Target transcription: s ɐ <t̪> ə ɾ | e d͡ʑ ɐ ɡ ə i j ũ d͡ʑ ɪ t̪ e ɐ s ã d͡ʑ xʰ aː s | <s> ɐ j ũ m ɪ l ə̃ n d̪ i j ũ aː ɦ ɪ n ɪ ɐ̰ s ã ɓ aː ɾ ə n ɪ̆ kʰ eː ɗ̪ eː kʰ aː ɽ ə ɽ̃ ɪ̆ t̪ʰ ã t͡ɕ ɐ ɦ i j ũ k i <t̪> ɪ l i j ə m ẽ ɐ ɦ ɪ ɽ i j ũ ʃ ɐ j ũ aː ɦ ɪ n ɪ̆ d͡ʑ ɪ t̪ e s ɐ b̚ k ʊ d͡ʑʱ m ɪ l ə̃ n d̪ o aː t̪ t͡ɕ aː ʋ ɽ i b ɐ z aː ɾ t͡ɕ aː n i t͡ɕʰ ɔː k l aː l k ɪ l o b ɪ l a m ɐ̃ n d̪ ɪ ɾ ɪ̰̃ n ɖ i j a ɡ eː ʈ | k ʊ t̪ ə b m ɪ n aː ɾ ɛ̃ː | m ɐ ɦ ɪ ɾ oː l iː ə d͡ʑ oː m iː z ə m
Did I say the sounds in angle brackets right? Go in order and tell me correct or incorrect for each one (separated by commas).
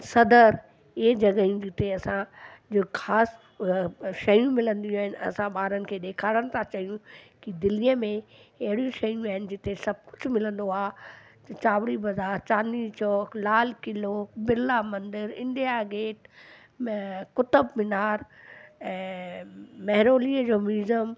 incorrect, incorrect, incorrect